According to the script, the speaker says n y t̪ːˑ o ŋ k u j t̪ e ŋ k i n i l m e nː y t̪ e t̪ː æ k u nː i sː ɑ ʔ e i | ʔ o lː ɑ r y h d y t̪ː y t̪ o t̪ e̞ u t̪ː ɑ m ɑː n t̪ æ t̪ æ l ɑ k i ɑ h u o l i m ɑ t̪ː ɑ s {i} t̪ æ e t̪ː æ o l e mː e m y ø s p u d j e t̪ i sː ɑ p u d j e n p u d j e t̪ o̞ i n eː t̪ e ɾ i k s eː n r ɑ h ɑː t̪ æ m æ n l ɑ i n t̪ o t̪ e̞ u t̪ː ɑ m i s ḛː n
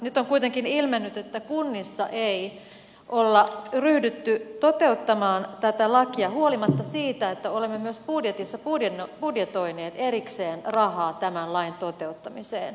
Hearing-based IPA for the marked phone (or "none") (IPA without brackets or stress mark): iː